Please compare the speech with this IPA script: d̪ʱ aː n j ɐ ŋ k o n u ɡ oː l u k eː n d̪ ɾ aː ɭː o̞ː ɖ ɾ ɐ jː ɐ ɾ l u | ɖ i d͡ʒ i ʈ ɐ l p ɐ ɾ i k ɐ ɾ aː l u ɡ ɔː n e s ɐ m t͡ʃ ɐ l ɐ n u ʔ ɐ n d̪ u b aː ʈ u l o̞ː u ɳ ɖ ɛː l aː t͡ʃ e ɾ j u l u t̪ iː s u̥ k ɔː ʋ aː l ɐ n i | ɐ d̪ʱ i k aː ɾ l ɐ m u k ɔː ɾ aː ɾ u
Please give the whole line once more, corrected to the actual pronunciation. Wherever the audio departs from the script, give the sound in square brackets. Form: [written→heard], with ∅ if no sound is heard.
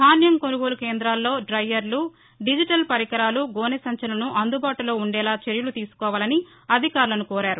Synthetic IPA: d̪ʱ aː n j ɐ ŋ k o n u ɡ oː l u k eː n d̪ ɾ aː [ɭː→lː] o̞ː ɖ ɾ ɐ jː ɐ ɾ l u | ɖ i d͡ʒ i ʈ ɐ l p ɐ ɾ i k ɐ ɾ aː l u ɡ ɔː n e s ɐ [m→ɲ] t͡ʃ ɐ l ɐ n u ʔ ɐ n d̪ u b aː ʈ u l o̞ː u ɳ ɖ ɛː l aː t͡ʃ e ɾ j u l u t̪ iː s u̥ k ɔː ʋ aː l ɐ n i | ɐ d̪ʱ i k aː ɾ l ɐ [m→n] u k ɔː ɾ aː ɾ u